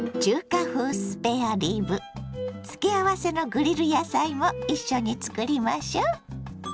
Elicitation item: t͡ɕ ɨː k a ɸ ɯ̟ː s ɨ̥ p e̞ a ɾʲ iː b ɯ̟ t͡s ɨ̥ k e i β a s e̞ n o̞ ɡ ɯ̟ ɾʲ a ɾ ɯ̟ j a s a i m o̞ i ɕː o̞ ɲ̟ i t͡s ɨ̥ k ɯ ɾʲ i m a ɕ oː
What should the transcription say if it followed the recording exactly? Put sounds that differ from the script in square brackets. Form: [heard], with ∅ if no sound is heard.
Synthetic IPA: t͡ɕ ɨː k a ɸ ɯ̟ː s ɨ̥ p e̞ a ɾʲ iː b ɯ̟ t͡s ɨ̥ k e [a] β a s e̞ n o̞ ɡ ɯ̟ ɾʲ [i] ɾ ɯ̟ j a s a i m o̞ i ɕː o̞ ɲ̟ i t͡s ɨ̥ k ɯ ɾʲ i m a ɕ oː